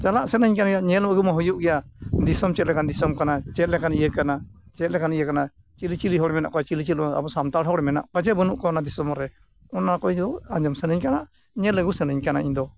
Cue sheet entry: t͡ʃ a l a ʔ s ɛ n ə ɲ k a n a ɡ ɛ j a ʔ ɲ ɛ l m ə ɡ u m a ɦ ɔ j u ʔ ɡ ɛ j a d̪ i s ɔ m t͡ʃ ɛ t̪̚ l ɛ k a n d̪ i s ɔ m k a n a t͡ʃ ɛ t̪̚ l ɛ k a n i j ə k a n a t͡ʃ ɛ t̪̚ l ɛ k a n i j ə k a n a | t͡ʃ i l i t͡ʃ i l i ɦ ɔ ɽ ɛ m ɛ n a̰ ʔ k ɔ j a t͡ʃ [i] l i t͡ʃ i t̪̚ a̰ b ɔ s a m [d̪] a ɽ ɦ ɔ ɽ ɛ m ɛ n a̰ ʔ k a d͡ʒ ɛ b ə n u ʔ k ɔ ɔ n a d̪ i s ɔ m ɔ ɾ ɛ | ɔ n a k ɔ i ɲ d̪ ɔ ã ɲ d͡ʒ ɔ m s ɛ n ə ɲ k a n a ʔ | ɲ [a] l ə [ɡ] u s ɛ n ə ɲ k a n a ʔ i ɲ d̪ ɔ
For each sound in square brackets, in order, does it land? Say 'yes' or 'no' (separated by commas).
yes, no, no, yes